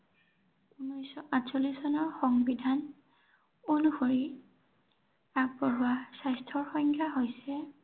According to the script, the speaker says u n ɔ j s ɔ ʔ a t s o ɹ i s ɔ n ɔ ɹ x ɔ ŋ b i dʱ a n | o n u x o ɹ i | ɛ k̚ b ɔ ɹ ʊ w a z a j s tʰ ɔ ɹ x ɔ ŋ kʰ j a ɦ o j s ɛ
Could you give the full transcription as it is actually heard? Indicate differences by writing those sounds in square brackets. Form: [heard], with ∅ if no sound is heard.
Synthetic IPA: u n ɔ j s ɔ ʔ a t s o [l] i s ɔ n ɔ ɹ x ɔ ŋ b i dʱ a n | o n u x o ɹ i | [a] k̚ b ɔ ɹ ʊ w a [s] a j s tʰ ɔ ɹ x ɔ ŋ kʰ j a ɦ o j s ɛ